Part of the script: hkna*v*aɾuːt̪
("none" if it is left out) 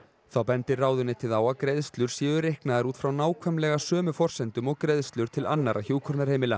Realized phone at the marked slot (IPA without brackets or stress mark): ð